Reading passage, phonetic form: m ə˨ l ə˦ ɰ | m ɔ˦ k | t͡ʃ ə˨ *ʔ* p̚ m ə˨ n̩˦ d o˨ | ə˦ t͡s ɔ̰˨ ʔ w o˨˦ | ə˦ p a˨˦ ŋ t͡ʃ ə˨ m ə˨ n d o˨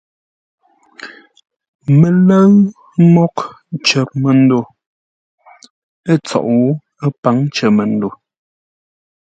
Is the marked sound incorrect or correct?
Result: incorrect